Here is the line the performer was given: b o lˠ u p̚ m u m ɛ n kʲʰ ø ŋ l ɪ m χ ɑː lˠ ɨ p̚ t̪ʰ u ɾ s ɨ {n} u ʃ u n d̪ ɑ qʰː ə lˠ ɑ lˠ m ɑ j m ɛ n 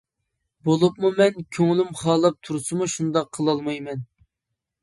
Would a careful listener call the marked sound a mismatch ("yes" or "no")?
yes